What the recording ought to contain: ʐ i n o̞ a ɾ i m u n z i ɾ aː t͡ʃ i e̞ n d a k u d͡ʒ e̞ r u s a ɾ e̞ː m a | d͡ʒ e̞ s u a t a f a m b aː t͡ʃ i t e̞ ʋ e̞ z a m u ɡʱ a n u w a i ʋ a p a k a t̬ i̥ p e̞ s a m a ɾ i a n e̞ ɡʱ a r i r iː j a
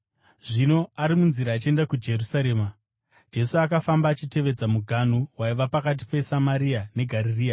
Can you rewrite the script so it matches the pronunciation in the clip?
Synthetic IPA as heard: ʐ i n o̞ a ɾ i m u n z i ɾ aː t͡ʃ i e̞ n d a k u d͡ʒ e̞ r u s a ɾ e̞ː m a | d͡ʒ e̞ s u a k a f a m b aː t͡ʃ i t e̞ ʋ e̞ d͡z a m u ɡʱ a n u w a i ʋ a p a k a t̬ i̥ p e̞ s a m a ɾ i a n e̞ ɡʱ a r i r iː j a